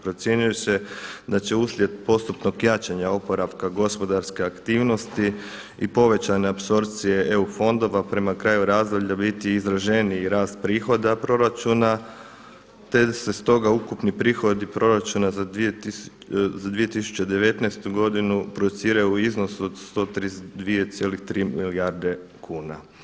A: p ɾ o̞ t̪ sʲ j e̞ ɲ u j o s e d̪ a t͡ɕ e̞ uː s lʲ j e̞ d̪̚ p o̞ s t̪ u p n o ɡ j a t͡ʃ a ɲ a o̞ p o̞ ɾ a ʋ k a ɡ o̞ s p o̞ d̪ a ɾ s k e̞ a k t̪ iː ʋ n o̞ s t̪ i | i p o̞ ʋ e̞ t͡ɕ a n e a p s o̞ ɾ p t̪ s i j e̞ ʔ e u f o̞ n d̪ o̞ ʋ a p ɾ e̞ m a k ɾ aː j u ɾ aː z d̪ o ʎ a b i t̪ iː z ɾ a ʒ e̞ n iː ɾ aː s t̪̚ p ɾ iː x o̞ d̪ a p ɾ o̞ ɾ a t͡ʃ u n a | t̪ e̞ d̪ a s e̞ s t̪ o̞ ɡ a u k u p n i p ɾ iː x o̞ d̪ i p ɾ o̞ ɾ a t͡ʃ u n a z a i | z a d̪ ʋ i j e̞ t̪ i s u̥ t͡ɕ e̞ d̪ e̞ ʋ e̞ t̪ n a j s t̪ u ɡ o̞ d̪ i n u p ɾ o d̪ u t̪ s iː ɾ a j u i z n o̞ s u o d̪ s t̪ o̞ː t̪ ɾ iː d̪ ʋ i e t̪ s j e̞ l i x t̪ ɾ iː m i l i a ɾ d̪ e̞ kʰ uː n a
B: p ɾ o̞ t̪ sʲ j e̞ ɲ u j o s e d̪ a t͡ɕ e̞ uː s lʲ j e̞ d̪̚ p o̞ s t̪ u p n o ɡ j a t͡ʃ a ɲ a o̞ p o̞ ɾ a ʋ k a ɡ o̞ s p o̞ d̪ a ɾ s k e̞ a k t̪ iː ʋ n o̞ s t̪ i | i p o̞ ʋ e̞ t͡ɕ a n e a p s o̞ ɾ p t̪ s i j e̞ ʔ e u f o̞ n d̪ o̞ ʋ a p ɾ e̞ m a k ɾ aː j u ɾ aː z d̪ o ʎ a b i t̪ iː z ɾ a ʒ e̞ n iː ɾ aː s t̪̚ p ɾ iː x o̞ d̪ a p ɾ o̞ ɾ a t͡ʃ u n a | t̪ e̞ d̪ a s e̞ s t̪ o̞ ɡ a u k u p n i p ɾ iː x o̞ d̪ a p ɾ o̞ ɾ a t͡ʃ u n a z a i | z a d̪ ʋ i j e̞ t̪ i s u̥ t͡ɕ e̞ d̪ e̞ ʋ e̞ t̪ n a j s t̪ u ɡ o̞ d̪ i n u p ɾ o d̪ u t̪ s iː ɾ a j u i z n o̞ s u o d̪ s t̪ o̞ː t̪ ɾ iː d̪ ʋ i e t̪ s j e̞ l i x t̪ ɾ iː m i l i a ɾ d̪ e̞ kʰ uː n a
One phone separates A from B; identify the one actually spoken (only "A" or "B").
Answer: A